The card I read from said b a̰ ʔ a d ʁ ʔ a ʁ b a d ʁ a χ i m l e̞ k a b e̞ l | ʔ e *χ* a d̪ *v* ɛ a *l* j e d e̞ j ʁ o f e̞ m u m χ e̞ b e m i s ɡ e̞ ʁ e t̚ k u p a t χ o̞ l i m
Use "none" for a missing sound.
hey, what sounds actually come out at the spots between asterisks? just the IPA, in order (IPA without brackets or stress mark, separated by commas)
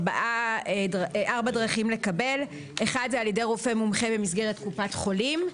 χ, z, l